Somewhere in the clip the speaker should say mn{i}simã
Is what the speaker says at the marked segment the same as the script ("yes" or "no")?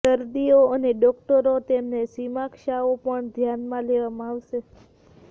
no